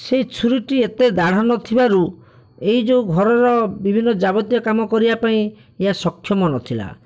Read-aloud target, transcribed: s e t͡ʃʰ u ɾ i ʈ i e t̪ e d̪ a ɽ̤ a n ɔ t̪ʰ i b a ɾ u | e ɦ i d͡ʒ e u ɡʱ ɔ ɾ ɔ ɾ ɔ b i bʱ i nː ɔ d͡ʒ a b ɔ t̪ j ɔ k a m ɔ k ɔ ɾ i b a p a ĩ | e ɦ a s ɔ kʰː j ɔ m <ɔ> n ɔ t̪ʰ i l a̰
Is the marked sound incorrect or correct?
correct